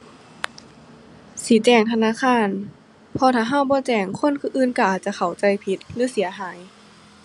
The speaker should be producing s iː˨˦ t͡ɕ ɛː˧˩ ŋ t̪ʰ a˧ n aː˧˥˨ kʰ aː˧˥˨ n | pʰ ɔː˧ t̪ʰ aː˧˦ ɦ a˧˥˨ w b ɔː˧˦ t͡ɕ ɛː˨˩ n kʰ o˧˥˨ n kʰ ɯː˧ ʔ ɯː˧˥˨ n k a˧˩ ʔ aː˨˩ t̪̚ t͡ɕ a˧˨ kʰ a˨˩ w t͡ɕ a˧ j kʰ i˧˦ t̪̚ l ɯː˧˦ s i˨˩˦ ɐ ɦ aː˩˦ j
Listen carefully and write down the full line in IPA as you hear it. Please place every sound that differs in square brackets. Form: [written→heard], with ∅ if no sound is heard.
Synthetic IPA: s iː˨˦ t͡ɕ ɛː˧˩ ŋ t̪ʰ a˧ n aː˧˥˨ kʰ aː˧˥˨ n | pʰ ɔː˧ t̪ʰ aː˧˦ ɦ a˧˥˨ w b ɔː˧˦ t͡ɕ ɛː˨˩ [n→ŋ] kʰ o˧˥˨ n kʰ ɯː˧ ʔ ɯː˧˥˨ n k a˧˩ ʔ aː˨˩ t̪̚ t͡ɕ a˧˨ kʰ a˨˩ w t͡ɕ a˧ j [kʰ→pʰ] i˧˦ t̪̚ l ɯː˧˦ s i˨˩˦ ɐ ɦ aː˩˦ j

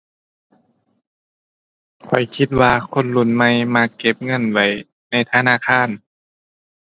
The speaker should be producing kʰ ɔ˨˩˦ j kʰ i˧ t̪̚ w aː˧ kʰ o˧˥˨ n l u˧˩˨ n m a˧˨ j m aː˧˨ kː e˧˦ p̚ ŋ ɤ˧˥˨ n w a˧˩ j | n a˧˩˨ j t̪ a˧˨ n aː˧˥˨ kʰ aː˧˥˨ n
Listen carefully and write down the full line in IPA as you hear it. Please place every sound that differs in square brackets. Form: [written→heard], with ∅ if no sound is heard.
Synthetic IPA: kʰ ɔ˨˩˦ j kʰ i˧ t̪̚ w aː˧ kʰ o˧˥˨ n l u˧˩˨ n m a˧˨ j m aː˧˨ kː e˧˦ p̚ ŋ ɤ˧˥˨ n w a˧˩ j | n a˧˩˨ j [t̪→t̪ʰ] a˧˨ n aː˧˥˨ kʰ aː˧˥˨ n

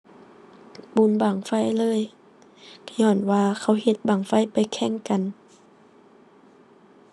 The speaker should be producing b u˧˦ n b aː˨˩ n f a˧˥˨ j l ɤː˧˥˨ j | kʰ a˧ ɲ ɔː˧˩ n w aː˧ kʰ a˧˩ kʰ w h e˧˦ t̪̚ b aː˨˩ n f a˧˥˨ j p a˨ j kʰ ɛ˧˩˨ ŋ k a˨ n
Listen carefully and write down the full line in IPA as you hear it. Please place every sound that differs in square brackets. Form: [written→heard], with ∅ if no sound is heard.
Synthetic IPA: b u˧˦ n b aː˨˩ [n→ŋ] f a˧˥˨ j l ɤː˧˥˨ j | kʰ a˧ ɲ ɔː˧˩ n w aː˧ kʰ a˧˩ [kʰ→∅] w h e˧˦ t̪̚ b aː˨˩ [n→ŋ] f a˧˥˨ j p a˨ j kʰ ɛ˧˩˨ ŋ k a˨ n

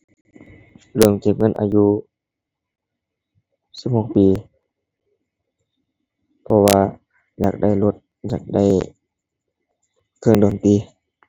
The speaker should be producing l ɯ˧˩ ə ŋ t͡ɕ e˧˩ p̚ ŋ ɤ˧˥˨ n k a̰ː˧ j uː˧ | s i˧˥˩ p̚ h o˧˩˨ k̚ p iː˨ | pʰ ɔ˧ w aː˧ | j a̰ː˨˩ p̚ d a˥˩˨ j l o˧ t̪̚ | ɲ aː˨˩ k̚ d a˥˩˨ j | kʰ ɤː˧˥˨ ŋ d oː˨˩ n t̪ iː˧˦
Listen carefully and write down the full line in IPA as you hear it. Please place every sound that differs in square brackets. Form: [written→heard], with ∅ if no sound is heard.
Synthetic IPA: l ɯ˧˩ ə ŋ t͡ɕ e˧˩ p̚ ŋ ɤ˧˥˨ n [k→ʔ] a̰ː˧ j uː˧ | s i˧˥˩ p̚ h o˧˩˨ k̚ p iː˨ | pʰ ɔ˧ w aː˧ | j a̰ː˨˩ [p̚→k̚] d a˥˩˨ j l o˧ t̪̚ | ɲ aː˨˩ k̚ d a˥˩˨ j | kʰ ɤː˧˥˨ ŋ d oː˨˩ n t̪ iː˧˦

